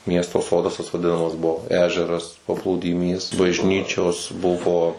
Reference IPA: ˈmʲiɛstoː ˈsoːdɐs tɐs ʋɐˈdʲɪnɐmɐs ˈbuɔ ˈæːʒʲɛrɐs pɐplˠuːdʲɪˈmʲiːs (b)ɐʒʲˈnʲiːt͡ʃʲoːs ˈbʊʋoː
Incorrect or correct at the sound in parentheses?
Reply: correct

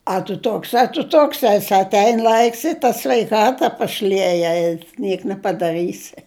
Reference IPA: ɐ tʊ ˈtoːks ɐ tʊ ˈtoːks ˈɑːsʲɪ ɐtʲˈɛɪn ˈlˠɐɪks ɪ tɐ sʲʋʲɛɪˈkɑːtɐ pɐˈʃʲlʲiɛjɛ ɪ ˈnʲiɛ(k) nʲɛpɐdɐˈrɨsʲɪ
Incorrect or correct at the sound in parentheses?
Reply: correct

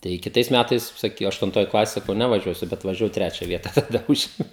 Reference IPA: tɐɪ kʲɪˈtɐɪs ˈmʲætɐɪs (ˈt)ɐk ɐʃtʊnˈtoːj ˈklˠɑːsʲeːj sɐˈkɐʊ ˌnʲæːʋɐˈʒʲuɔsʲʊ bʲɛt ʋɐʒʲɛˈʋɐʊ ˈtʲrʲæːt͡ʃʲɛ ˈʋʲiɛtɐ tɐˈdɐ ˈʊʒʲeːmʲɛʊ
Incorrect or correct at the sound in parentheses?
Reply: incorrect: s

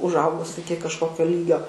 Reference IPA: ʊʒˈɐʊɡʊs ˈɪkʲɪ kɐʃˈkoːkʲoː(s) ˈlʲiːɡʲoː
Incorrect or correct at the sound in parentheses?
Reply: incorrect: none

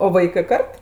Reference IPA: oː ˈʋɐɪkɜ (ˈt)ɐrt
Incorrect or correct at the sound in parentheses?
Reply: incorrect: k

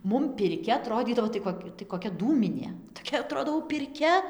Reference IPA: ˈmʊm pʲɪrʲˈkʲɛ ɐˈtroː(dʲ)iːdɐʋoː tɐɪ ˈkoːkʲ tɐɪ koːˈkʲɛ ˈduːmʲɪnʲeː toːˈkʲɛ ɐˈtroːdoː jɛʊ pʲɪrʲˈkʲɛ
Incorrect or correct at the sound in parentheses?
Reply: correct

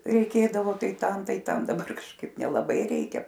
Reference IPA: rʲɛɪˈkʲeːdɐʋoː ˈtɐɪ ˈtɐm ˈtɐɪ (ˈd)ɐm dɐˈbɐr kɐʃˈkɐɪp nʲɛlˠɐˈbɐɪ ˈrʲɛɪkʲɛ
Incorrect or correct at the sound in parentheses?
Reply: incorrect: t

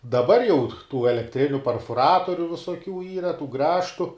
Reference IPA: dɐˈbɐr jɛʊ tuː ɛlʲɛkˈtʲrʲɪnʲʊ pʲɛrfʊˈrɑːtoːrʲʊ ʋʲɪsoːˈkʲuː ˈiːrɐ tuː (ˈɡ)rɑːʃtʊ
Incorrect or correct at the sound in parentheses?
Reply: correct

